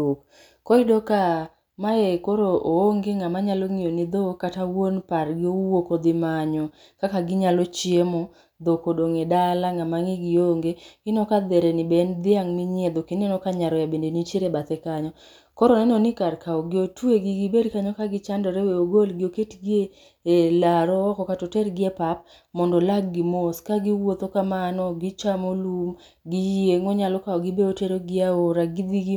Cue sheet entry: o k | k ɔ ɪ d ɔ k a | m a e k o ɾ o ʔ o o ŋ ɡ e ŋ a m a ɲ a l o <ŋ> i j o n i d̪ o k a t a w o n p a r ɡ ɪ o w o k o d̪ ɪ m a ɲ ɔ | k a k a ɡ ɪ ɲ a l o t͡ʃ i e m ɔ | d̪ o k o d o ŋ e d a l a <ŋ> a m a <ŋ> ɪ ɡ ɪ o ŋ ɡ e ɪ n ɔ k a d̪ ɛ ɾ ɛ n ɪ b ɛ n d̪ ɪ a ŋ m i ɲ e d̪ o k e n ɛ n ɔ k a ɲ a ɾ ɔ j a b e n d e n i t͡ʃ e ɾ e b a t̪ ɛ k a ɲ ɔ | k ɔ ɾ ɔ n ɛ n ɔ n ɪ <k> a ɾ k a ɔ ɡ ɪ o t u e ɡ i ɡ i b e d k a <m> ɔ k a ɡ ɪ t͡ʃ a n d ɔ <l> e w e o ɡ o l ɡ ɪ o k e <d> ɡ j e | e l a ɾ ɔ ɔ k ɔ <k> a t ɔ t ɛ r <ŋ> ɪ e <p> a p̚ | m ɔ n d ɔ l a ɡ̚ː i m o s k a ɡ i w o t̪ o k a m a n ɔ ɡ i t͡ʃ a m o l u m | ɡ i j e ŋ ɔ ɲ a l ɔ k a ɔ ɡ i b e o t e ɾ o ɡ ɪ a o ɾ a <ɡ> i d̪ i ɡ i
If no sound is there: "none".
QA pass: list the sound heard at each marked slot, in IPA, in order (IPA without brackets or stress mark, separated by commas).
ŋ, ŋ, ŋ, k, ɲ, ɾ, t, k, ɡ, p, ɡ